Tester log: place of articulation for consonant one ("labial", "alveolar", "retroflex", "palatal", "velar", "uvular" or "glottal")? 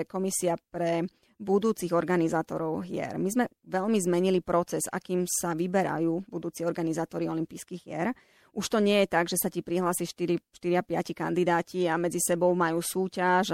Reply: velar